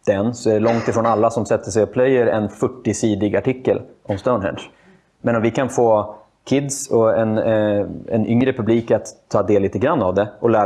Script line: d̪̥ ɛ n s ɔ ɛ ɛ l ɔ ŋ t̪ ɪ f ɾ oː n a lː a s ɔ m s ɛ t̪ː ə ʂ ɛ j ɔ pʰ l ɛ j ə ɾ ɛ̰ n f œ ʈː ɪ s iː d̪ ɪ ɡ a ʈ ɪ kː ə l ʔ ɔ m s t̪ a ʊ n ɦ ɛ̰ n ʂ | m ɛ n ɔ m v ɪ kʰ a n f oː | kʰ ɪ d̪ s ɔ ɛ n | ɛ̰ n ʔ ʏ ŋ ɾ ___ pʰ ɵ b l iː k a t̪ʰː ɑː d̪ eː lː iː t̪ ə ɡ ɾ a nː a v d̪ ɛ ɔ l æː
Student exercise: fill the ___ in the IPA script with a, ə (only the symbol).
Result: ə